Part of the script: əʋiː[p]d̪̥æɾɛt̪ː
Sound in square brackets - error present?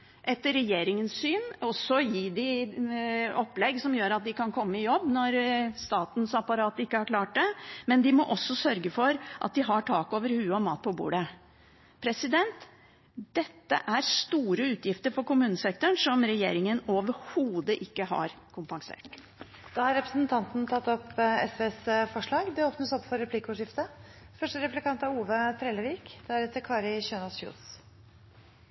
yes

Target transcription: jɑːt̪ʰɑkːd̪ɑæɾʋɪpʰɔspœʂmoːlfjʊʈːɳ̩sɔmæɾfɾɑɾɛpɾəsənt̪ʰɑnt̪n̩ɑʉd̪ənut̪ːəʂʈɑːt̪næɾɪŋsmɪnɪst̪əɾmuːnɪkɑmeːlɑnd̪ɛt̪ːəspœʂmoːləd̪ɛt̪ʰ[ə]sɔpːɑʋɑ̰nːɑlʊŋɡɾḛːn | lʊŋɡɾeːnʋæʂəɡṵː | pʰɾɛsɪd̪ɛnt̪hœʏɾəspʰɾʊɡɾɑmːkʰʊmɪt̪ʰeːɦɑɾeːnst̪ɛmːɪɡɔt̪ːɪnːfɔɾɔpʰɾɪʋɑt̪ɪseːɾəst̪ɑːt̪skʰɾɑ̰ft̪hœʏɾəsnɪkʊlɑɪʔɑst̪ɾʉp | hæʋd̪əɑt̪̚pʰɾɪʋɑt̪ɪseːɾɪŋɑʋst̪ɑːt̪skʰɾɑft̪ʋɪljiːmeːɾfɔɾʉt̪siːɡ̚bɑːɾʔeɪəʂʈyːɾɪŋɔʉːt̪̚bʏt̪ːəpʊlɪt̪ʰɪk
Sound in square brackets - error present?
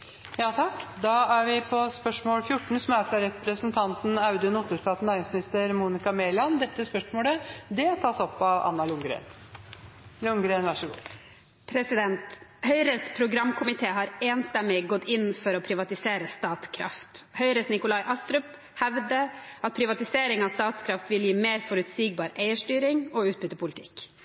yes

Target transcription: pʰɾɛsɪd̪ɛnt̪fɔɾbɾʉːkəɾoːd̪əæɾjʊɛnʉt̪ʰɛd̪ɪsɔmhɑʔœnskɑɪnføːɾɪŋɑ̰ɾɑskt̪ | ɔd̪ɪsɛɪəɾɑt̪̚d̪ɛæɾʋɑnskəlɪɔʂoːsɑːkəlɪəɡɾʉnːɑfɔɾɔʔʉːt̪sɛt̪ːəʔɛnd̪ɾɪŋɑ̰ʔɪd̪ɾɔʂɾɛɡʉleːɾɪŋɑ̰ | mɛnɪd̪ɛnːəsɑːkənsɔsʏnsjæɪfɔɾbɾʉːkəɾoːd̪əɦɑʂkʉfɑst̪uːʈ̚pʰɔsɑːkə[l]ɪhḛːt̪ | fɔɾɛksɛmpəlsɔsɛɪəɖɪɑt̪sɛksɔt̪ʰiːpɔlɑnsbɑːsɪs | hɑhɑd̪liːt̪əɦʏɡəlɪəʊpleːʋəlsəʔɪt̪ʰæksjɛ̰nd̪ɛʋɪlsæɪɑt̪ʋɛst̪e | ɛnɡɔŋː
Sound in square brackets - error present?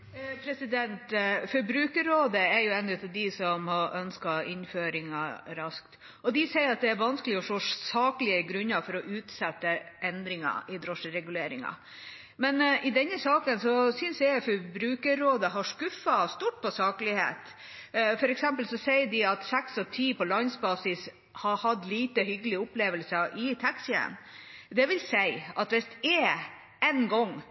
no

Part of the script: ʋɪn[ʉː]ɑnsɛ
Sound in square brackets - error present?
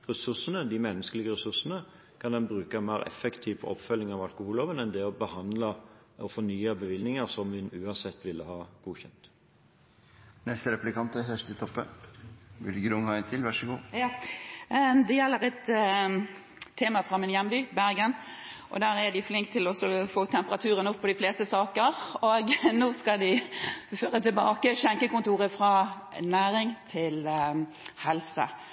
no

